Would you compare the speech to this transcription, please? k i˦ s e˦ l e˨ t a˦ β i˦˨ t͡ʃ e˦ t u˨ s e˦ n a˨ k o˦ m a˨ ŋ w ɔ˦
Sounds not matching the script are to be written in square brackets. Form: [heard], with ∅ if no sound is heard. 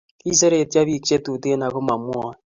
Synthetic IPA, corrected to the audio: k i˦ s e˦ [ɾ] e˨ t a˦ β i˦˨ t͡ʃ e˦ t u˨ [t] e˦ n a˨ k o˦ m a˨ [m] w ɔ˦